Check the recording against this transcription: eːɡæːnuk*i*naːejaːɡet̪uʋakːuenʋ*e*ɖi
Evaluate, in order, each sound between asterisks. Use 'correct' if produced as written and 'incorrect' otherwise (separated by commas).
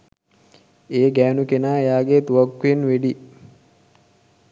incorrect, correct